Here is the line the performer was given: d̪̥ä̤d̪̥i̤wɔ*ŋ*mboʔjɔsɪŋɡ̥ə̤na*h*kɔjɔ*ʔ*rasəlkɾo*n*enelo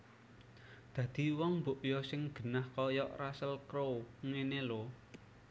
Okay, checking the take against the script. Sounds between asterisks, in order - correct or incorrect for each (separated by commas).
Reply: correct, correct, correct, incorrect